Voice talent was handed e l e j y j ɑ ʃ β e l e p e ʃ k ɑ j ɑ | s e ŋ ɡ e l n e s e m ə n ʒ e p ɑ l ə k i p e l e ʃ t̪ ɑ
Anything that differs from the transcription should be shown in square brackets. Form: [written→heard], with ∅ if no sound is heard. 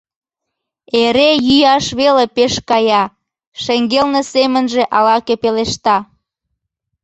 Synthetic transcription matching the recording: e [l→ɾ] e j y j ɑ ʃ β e l e p e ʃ k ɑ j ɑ | [s→ʃ] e ŋ ɡ e l n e s e m ə n ʒ e [p→ʔ] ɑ l [ə→ɑ] k [i→e] p e l e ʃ t̪ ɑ